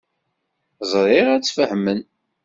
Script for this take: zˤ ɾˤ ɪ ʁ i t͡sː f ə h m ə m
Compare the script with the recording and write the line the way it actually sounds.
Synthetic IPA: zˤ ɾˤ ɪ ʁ æ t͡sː f ə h m ə n